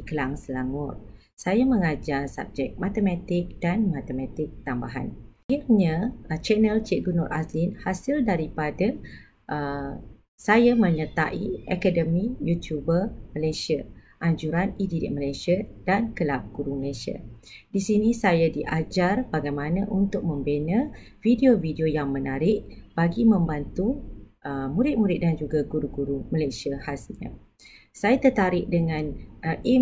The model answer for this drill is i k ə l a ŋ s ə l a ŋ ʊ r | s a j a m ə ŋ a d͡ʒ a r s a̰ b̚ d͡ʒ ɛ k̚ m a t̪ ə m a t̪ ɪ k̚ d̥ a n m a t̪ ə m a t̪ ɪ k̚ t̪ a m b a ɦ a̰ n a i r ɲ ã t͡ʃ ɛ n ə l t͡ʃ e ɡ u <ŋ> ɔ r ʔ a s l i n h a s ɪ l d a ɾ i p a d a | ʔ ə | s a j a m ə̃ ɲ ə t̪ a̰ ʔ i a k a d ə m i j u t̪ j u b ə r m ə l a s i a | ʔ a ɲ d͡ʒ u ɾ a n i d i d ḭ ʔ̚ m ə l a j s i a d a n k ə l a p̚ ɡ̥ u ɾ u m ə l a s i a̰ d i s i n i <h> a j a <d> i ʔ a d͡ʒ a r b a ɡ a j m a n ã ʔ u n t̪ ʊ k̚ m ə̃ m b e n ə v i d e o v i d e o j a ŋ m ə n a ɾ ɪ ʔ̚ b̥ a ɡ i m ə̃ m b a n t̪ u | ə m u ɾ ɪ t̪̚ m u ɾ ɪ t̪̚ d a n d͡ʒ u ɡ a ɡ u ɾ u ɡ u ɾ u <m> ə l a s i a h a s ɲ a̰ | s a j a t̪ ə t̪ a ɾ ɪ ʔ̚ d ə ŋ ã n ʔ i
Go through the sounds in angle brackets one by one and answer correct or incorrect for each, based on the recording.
incorrect: n, incorrect: s, correct, correct

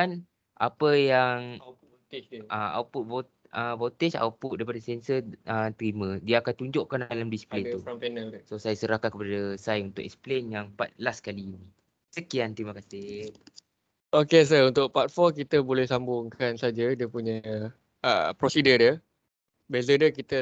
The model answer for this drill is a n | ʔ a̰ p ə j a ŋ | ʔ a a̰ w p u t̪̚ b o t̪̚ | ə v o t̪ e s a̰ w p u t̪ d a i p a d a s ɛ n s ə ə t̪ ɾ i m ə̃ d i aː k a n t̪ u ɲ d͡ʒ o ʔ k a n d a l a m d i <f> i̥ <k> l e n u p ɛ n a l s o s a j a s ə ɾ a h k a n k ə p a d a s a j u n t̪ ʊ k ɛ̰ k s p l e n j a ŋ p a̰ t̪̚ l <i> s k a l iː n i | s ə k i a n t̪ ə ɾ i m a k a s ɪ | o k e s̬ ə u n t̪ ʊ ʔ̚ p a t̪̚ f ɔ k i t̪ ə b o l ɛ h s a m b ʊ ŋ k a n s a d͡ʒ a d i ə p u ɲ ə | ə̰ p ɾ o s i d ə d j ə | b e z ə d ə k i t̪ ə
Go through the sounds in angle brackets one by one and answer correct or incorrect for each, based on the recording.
incorrect: s, incorrect: p, incorrect: a

